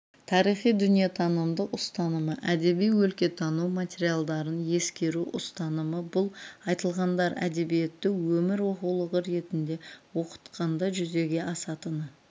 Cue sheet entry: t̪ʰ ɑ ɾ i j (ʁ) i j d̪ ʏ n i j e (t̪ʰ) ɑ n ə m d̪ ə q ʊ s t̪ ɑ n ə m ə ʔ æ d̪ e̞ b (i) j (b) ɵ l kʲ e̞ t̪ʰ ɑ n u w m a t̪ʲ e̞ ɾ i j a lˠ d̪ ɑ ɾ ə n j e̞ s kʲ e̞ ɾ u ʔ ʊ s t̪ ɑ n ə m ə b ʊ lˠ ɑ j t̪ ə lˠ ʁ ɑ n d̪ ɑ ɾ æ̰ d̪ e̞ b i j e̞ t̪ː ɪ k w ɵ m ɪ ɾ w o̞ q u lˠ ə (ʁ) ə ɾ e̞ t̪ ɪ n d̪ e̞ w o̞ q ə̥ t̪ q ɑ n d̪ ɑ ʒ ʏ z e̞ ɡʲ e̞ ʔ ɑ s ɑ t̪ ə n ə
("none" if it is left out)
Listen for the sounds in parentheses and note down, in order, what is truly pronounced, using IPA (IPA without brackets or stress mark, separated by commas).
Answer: χ, t̪ʰ, i, w, ʁ